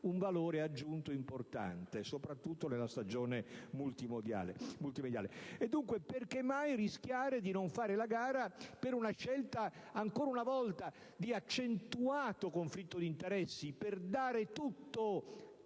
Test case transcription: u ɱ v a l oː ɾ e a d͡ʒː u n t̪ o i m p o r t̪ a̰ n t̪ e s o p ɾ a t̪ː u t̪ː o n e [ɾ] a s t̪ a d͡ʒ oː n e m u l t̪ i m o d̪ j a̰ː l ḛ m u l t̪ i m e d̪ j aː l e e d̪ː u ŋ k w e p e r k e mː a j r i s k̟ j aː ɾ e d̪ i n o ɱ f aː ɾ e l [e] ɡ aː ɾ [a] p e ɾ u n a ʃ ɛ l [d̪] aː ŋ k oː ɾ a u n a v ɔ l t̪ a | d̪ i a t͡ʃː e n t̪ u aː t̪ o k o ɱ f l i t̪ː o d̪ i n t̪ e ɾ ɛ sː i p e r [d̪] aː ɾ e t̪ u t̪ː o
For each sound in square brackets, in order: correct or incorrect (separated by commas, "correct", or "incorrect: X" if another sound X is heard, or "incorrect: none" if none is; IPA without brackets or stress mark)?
incorrect: l, incorrect: a, correct, incorrect: t̪, correct